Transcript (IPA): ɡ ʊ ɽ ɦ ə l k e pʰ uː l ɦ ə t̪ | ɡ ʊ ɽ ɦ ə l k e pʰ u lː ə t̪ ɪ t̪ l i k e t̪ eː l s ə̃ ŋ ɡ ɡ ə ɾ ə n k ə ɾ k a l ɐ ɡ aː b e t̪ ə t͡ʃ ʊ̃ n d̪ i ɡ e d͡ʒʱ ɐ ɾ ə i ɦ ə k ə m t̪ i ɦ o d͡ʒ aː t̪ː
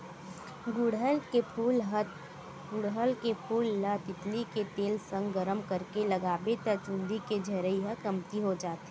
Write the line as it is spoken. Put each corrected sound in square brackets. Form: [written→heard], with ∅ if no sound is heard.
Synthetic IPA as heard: ɡ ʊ ɽ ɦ ə l k e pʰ uː l ɦ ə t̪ | ɡ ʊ ɽ ɦ ə l k e pʰ [u→uː] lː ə t̪ ɪ t̪ l i k e t̪ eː l s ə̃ ŋ ɡ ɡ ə ɾ ə [n→m] k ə ɾ k [a→e] l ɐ ɡ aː b e t̪ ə t͡ʃ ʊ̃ n d̪ i [ɡ→k] e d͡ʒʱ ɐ ɾ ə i ɦ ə k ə m t̪ i ɦ o d͡ʒ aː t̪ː